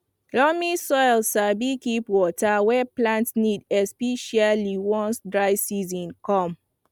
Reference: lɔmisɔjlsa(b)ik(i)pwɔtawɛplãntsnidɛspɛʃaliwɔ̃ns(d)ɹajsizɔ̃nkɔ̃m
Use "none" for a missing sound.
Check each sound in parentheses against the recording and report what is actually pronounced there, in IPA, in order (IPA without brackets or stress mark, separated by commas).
b, i, d